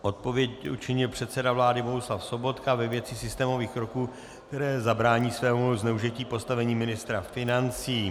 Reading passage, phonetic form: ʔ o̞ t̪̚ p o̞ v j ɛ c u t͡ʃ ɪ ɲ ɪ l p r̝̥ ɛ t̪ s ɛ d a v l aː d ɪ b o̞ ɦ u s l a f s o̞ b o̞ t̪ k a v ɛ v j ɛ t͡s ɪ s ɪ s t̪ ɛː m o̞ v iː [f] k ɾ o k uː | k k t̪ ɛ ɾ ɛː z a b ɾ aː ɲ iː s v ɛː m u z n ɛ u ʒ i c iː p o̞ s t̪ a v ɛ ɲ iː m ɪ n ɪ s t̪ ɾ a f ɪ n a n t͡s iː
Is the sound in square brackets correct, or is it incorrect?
incorrect: x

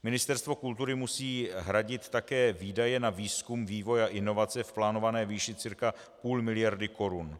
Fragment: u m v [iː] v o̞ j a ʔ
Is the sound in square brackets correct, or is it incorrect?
correct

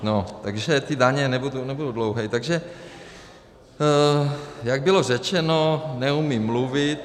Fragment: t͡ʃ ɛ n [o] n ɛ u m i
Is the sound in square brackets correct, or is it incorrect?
correct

